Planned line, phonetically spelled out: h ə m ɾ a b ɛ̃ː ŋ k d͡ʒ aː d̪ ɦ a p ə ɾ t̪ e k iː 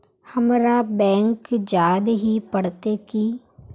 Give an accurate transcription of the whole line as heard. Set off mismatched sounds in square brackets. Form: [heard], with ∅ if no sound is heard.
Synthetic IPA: h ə m ɾ a b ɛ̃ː ŋ k d͡ʒ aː d̪ ɦ [i] p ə [ɽ] t̪ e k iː